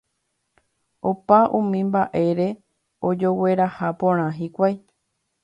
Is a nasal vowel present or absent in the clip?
present